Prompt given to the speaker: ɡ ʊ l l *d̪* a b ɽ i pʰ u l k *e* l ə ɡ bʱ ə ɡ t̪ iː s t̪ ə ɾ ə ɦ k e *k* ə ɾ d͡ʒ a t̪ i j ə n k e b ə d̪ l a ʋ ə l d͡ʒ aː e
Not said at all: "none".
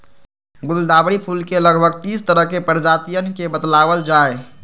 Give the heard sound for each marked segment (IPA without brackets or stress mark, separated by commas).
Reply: d̪, e, p